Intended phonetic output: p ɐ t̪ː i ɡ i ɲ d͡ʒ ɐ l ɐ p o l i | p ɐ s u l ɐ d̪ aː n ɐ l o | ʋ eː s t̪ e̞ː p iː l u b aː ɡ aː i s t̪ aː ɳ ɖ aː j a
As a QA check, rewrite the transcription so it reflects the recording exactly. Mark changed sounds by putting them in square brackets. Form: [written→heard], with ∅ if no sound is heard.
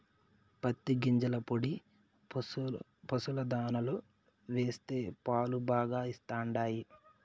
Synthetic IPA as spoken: p ɐ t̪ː i ɡ i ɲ d͡ʒ ɐ l ɐ p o [l→ɽ] i | p ɐ s u l ɐ d̪ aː n ɐ l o | ʋ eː s t̪ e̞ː p [iː→aː] l u b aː ɡ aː i s t̪ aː ɳ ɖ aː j [a→i]